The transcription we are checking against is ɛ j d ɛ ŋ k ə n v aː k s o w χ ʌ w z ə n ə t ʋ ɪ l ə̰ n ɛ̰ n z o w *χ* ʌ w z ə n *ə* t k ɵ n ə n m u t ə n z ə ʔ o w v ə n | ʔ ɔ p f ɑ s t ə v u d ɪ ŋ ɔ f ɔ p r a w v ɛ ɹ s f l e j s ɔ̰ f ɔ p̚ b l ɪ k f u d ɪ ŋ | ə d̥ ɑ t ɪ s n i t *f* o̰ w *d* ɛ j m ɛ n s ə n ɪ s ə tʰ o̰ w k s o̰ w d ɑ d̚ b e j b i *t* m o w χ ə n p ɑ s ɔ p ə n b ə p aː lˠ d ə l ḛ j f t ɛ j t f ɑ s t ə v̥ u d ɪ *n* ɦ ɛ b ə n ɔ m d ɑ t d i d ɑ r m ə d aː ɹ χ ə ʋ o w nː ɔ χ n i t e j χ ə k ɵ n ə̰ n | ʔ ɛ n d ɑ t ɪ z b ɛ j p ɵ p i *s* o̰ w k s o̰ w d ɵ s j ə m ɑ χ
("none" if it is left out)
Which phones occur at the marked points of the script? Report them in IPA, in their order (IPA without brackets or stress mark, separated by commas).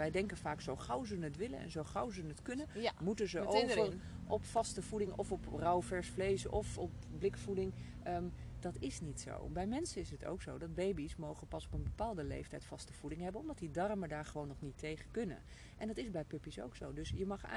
χ, ə, s, b, s, ŋ, s